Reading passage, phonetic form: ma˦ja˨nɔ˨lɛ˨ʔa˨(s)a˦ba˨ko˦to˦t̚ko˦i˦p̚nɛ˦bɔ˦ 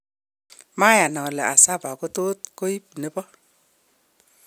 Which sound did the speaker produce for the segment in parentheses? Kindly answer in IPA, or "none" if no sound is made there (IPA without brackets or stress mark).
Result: s